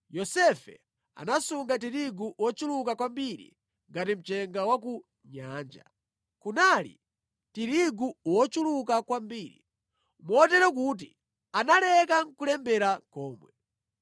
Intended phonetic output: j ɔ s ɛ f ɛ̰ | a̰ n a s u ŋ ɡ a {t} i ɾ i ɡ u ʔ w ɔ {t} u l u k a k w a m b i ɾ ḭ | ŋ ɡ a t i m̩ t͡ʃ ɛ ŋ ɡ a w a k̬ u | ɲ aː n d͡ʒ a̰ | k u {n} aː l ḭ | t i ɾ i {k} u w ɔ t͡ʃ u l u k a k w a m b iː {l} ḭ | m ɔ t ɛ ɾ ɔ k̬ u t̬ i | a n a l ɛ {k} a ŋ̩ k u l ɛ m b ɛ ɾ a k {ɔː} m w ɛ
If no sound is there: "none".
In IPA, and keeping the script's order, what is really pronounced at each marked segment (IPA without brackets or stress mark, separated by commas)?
t, t͡ʃ, n, ɡ, ɾ, k, ɔː